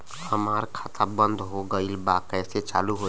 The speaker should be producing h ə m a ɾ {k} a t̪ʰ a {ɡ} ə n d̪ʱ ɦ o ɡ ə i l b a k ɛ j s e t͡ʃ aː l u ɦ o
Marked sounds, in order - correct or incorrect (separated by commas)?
incorrect, incorrect